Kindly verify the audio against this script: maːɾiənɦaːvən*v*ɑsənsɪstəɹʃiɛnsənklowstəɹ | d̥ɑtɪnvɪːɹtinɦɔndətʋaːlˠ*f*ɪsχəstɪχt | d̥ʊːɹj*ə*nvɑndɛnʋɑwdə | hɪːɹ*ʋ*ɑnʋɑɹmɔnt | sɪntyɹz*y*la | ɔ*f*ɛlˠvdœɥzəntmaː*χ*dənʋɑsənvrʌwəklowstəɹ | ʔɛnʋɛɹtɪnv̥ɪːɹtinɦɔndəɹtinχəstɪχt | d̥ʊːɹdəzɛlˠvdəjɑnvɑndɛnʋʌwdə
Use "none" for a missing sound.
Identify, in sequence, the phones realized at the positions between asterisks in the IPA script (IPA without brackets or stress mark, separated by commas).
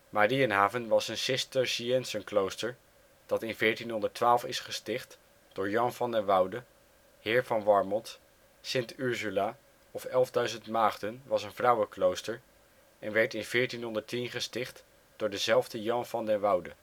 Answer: ʋ, f, ɑ, v, y, f, χ